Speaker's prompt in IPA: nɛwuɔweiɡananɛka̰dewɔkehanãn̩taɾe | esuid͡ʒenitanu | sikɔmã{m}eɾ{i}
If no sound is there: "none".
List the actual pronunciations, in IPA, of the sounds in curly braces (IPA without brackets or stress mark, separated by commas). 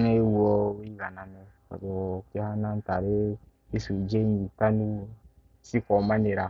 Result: n, a